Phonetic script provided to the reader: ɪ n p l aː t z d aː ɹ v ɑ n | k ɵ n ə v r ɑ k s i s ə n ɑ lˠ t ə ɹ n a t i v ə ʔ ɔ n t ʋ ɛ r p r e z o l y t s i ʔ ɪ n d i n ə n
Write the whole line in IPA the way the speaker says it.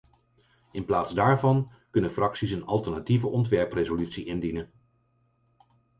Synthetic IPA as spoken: ɪ n p l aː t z d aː ɹ v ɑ n | k ɵ n ə f r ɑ k s i s ə n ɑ lˠ t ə ɹ n a t i v ə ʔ ɔ n t ʋ ɛ ɹ p r e z o l y t s i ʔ ɪ n d i n ə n